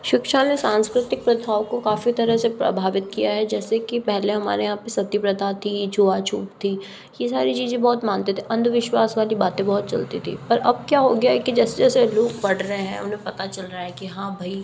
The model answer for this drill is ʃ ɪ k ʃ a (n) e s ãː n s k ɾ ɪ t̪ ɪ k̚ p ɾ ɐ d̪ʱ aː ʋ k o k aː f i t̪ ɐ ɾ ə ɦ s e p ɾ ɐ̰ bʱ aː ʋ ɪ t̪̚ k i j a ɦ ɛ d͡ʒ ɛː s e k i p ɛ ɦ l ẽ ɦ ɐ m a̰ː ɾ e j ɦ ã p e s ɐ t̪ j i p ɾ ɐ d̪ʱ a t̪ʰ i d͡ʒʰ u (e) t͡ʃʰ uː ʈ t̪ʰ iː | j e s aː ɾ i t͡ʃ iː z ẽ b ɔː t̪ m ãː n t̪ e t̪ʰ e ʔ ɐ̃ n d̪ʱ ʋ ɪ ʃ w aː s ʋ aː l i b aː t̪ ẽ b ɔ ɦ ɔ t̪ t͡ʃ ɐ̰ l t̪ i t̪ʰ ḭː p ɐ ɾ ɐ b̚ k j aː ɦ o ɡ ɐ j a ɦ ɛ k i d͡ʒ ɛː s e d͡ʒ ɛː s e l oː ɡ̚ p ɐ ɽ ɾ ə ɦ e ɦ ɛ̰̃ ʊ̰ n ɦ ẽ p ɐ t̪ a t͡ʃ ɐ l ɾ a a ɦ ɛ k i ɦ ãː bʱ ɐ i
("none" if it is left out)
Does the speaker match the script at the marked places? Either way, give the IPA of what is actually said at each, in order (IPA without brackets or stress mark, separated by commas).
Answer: n, a